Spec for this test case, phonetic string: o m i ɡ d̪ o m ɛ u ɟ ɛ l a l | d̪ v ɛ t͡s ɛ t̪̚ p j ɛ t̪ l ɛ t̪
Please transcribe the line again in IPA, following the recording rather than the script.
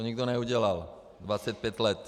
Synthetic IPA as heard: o ɲ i ɡ d̪ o n ɛ u ɟ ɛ l a l | d̪ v a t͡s ɛ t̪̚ p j ɛ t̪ l ɛ t̪

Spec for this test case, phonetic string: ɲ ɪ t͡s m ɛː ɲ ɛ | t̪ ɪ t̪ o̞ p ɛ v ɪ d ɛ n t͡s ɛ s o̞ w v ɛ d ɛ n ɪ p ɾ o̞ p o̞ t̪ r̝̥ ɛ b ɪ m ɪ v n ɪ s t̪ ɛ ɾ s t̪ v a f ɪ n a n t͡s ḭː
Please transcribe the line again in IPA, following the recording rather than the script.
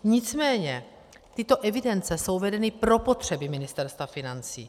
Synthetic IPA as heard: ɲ ɪ t͡s m ɛː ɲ ɛ | t̪ ɪ t̪ o̞ ʔ ɛ v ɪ d ɛ n t͡s ɛ s o̞ w v ɛ d ɛ n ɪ p ɾ o̞ p o̞ t̪ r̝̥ ɛ b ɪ m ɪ n ɪ s t̪ ɛ ɾ s t̪ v a f ɪ n a n t͡s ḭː

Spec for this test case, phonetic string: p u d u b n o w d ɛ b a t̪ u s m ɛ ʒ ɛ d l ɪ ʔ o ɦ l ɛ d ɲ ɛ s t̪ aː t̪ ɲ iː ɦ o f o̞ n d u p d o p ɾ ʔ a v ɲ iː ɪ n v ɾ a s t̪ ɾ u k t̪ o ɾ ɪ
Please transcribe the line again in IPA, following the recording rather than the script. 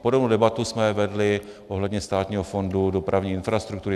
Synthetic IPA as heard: p o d o b n o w d ɛ b a t̪ u s m ɛ v ɛ d l ɪ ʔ o ɦ l ɛ d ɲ ɛ s t̪ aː t̪ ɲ iː ɦ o f o̞ n d u d o p ɾ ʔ a v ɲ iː ɪ n f ɾ a s t̪ ɾ u k t̪ u ɾ ɪ

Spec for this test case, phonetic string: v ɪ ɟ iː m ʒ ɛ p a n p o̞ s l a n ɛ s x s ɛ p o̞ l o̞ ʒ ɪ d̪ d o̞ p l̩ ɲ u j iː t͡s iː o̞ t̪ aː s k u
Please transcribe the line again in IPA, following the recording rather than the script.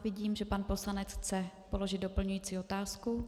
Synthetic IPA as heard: v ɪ ɟ iː m ʒ ɛ p a n p o̞ s l a n ɛ t͡s x t͡s ɛ p o̞ l o̞ ʒ ɪ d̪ d o̞ p l̩ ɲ u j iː t͡s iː o̞ t̪ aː s k u

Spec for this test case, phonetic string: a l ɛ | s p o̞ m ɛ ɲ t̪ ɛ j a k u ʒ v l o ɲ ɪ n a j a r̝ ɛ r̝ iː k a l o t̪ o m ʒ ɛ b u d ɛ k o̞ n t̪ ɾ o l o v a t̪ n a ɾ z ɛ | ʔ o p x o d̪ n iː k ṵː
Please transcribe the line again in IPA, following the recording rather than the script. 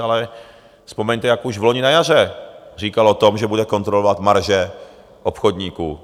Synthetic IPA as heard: a l ɛ | s p o̞ m ɛ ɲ t̪ ɛ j a k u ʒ v l o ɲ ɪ n a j a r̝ ɛ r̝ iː k a l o t̪ o m ʒ ɛ b u d ɛ k o̞ n t̪ ɾ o l o v a t̪ m a ɾ ʒ ɛ | ʔ o p x o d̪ ɲ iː k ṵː

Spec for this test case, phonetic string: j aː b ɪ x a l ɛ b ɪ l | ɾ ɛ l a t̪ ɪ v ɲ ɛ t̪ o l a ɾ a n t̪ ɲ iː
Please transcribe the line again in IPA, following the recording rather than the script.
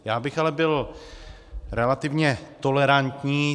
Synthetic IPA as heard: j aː b ɪ x a l ɛ b ɪ l | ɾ ɛ l a t̪ ɪ v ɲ ɛ t̪ o l ɛ ɾ a n t̪ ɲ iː

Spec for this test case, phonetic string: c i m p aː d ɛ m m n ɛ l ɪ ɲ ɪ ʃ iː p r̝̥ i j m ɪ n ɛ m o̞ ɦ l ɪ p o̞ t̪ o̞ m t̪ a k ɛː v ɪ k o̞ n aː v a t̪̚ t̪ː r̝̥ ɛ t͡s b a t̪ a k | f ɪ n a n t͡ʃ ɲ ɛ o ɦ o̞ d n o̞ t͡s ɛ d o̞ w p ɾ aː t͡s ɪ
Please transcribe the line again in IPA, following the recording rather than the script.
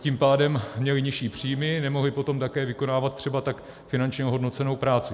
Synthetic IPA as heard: c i m p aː d ɛ m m ɲ ɛ l ɪ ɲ ɪ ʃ iː p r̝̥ i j m ɪ n ɛ m o̞ ɦ l ɪ p o̞ t̪ o̞ m t̪ a k ɛː v ɪ k o̞ n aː v a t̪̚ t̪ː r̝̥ ɛ b a t̪ a k | f ɪ n a n t͡ʃ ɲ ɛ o ɦ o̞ d n o̞ t͡s ɛ n o̞ w p ɾ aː t͡s ɪ

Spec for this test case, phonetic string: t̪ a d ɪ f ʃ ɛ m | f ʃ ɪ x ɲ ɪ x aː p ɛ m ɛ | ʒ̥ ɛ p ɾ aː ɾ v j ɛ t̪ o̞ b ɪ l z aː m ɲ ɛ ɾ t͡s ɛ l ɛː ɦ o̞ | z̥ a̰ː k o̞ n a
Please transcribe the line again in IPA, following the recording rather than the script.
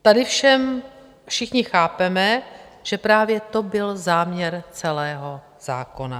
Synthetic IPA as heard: t̪ a d ɪ f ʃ ɛ m | f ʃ ɪ x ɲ ɪ x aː p ɛ m ɛ | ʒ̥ ɛ p ɾ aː v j ɛ t̪ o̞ b ɪ l z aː m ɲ ɛ ɾ t͡s ɛ l ɛː ɦ o̞ | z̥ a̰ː k o̞ n a

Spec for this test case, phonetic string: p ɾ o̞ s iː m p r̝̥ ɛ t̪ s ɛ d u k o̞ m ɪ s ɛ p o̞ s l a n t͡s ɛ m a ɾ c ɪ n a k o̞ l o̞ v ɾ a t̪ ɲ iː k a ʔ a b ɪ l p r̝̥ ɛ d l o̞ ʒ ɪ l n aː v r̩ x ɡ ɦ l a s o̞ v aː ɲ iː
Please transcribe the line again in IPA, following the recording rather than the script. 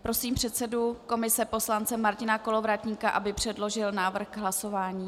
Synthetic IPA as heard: p ɾ o̞ s iː m p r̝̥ ɛ t̪ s ɛ d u k o̞ m ɪ s ɛ p o̞ s l a n t͡s ɛ m a ɾ c ɪ n a k o̞ l o̞ v ɾ a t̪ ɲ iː k a ʔ a b ɪ p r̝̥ ɛ d l o̞ ʒ ɪ l n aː v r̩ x ɡ ɦ l a s o̞ v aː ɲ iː

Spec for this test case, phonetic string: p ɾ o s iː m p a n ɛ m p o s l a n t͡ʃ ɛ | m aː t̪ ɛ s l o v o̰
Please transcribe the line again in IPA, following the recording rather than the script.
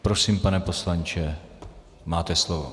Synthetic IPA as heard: p ɾ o s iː m p a n ɛ p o s l a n t͡ʃ ɛ | m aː t̪ ɛ s l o v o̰

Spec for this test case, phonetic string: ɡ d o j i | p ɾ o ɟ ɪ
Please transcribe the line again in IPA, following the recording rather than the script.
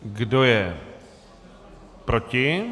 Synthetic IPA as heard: ɡ d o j ɛ | p ɾ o c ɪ

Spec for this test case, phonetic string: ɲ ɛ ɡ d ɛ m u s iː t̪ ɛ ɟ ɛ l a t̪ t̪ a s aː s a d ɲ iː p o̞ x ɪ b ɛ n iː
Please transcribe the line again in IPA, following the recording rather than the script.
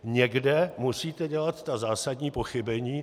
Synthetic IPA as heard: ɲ ɛ ɡ d ɛ m u s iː t̪ ɛ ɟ ɛ l a t̪ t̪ a z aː s a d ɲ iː p o̞ x ɪ b ɛ ɲ iː

